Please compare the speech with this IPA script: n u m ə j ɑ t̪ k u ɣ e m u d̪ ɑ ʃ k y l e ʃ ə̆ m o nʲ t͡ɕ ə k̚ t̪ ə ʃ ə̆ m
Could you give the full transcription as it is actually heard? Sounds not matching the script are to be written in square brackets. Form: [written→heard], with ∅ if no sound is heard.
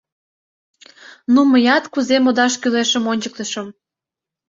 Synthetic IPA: n u m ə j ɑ t̪ k u [ɣ→z] e m [u→o] d̪ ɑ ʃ k y l e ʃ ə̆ m o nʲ t͡ɕ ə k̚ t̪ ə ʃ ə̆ m